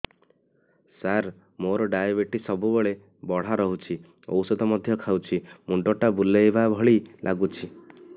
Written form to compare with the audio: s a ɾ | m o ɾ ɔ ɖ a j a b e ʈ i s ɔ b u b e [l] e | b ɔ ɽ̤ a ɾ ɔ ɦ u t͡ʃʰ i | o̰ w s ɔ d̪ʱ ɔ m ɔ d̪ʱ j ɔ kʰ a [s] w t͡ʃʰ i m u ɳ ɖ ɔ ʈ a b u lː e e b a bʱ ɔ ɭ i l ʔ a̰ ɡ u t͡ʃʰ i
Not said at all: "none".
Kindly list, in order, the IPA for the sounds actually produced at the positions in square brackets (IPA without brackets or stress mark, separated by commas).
ɭ, none